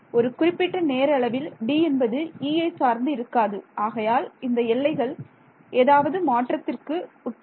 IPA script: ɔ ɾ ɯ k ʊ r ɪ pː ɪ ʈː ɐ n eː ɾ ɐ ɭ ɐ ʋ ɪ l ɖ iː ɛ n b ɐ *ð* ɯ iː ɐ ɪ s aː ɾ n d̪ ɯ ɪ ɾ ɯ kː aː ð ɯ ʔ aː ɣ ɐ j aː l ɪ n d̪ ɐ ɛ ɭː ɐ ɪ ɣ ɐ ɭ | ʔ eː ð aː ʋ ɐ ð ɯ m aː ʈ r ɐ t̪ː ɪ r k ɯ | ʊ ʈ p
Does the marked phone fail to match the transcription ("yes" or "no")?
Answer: no